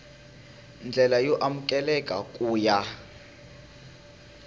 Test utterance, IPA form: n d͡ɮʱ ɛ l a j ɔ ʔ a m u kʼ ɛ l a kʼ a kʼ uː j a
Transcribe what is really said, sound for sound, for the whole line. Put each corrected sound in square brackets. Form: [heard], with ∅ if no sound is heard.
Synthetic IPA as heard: n d͡ɮʱ ɛ l a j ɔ ʔ a m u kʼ ɛ l [ɛ] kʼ a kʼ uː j a